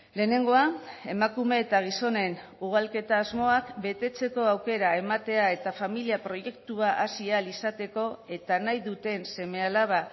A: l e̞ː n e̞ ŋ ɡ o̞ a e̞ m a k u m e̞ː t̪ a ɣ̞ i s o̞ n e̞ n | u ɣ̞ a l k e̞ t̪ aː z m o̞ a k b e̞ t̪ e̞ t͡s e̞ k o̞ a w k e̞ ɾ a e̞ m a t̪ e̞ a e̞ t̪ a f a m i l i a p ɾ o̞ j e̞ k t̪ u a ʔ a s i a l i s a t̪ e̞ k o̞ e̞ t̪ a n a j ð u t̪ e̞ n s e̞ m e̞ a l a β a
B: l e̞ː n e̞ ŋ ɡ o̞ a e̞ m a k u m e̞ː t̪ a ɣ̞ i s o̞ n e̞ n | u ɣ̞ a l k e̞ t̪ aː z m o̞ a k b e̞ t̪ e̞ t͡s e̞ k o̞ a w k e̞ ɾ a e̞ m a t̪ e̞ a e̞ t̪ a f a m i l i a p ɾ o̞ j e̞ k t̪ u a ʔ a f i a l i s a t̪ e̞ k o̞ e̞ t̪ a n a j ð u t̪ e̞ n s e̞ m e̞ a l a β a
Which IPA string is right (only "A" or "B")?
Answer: A